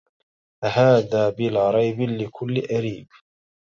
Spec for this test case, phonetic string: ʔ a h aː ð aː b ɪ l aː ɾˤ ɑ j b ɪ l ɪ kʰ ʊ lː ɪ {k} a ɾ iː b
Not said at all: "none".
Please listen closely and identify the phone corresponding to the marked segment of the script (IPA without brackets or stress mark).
ʔ